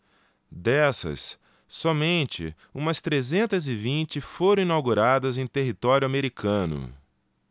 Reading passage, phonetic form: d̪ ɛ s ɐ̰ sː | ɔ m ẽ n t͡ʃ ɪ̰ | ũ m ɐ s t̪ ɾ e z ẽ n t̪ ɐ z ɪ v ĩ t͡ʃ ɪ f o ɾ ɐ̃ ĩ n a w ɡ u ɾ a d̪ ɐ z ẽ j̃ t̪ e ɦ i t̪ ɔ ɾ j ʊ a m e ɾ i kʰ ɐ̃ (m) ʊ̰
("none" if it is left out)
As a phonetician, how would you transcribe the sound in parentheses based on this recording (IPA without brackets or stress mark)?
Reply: n